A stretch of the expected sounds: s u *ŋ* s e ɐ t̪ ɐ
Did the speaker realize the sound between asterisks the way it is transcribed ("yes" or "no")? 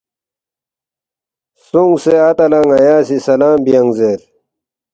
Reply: yes